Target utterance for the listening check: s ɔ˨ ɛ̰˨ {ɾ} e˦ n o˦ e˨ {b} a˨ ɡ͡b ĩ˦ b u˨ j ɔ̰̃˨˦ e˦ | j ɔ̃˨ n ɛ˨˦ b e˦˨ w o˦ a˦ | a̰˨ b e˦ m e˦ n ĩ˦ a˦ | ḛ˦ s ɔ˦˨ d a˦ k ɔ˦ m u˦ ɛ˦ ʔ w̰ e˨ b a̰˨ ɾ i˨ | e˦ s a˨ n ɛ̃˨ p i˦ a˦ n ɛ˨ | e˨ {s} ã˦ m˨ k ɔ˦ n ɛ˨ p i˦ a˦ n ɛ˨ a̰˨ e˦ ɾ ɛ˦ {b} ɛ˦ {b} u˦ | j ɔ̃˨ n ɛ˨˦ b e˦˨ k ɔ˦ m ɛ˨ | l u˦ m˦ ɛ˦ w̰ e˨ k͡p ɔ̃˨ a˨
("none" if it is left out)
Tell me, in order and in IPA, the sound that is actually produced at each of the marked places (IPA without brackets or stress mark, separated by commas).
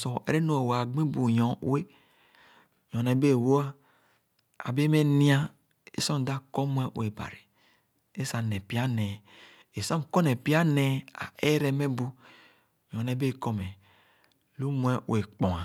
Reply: ɾ, w, s, m, b